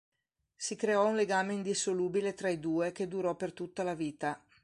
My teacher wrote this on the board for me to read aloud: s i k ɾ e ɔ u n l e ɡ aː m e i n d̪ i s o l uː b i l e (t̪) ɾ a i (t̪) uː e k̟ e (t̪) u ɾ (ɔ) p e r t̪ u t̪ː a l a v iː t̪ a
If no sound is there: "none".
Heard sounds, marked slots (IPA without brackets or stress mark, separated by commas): t̪, d̪, d̪, ɔ